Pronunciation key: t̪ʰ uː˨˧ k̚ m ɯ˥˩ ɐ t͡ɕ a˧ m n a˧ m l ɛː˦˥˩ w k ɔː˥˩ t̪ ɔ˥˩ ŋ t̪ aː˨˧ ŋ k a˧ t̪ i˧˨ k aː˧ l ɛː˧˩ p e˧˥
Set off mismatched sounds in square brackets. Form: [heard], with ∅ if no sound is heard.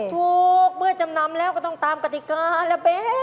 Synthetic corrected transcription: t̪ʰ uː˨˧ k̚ m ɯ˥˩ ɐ t͡ɕ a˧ m n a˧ m l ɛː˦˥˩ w k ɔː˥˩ t̪ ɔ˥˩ ŋ t̪ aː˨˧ [m] k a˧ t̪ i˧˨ k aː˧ l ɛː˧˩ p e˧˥